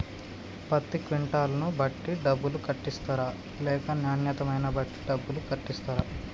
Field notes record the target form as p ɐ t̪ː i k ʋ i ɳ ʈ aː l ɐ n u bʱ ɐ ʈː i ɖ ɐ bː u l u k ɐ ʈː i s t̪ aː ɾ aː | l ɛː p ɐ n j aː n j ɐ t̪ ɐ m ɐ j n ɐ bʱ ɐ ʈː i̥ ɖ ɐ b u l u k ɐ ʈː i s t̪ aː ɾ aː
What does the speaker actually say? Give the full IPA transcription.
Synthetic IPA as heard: p ɐ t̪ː i k ʋ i ɳ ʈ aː l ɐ n u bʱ ɐ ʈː i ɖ ɐ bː u l u k ɐ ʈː i s t̪ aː ɾ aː | l ɛː k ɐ n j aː n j ɐ t̪ ɐ m ɐ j n ɐ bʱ ɐ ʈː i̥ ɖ ɐ bː u l u k ɐ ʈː i s t̪ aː ɾ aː